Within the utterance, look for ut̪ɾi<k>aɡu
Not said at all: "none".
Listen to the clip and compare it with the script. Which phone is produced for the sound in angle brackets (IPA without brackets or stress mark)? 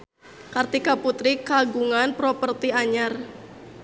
k